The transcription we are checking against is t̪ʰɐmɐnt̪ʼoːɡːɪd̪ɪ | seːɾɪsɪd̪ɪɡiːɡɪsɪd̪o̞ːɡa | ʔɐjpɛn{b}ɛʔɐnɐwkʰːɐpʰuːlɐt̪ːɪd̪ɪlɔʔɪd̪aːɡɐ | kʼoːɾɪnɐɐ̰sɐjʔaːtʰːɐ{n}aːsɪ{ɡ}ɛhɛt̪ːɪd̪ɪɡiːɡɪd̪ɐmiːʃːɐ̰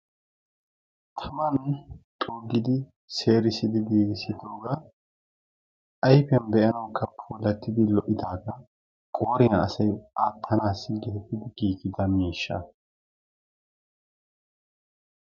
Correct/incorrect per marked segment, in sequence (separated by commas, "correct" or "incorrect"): correct, correct, correct